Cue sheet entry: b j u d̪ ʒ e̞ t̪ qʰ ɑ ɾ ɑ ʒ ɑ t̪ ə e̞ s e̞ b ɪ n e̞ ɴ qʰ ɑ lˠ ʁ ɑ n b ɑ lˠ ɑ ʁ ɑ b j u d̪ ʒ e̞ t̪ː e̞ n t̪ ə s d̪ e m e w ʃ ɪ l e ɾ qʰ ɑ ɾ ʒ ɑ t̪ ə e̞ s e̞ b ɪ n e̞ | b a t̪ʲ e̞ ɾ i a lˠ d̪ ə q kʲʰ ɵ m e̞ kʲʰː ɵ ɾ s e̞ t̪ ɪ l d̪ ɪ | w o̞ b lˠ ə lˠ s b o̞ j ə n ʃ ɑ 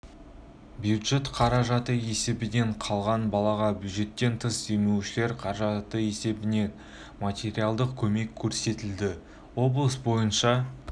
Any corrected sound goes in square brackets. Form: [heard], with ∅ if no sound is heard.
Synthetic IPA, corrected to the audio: b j u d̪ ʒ e̞ t̪ qʰ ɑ ɾ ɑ ʒ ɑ t̪ ə e̞ s e̞ b ɪ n e̞ ɴ qʰ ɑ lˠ ʁ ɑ n b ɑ lˠ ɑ ʁ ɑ b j u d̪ ʒ e̞ t̪ː e̞ n [t̪ʰ] ə s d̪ e m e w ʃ ɪ l e ɾ qʰ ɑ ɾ ʒ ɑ t̪ ə e̞ s e̞ b ɪ n e̞ | [m] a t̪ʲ e̞ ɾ i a lˠ d̪ ə q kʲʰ ɵ m e̞ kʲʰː ɵ ɾ s e̞ t̪ ɪ l d̪ ɪ | w o̞ b lˠ ə [∅] s b o̞ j ə n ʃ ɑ